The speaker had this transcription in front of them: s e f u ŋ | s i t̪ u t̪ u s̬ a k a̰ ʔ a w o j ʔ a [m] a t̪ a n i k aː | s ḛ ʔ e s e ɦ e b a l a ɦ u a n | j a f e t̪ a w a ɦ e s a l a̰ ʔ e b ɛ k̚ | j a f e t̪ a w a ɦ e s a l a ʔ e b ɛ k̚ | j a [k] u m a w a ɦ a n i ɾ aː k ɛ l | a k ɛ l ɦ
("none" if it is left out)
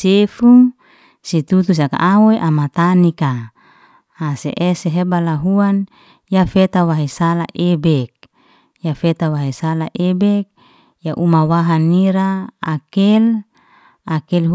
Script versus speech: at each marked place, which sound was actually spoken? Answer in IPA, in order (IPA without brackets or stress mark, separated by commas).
m, ʔ